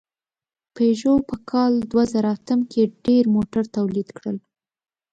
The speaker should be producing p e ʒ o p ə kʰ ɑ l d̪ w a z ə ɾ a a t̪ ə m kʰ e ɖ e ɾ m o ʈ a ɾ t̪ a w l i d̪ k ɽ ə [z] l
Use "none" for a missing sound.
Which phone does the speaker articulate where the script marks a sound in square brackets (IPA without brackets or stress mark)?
none